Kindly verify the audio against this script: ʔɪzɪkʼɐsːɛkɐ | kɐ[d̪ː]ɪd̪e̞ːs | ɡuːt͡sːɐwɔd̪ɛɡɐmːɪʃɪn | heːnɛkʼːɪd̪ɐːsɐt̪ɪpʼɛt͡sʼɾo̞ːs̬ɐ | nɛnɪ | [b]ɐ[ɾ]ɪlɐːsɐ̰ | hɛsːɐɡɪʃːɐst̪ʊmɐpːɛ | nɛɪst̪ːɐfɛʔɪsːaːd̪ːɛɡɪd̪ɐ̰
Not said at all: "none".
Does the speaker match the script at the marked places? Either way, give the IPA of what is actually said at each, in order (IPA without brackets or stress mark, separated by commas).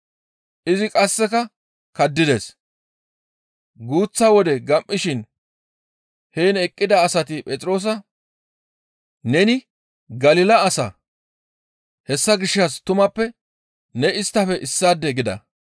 d̪ː, ɡ, l